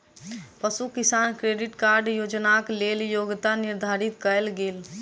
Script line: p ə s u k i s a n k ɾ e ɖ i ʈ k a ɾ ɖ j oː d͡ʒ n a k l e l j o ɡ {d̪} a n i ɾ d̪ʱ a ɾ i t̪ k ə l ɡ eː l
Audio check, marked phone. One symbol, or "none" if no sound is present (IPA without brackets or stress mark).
t̪